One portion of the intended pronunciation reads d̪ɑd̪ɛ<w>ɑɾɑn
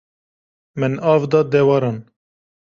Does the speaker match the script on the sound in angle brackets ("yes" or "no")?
yes